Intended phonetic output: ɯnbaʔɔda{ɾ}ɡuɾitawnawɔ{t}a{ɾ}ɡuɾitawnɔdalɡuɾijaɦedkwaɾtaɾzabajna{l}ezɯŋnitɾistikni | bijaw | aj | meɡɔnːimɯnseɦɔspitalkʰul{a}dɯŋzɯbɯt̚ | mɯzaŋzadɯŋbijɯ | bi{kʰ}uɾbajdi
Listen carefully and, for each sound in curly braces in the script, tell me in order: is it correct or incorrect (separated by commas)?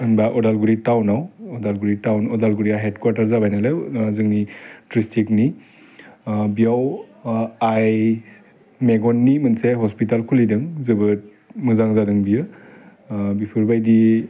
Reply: incorrect, incorrect, incorrect, correct, incorrect, incorrect